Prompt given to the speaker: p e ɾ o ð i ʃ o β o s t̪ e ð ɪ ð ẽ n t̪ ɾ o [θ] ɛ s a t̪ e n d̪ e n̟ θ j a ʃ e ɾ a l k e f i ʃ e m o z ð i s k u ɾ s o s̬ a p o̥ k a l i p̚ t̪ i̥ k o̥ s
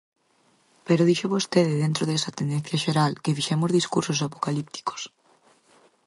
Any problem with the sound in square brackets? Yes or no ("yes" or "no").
yes